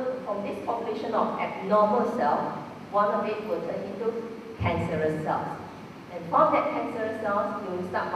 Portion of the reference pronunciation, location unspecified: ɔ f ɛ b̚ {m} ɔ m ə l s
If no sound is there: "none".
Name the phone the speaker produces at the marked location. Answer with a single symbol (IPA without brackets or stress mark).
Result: n